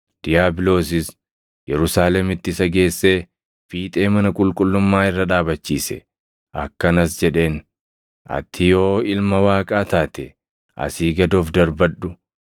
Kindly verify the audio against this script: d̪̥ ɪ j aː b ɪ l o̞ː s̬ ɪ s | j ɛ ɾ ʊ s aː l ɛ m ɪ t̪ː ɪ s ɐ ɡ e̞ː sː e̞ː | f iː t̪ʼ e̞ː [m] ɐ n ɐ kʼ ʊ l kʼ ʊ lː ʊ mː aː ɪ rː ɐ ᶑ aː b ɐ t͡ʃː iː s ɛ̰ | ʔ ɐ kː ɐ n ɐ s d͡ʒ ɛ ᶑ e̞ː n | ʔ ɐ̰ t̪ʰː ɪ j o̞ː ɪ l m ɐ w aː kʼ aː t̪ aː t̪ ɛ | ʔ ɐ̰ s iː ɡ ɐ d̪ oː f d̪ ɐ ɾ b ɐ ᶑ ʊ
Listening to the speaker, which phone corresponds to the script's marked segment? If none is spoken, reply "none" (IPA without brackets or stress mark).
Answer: m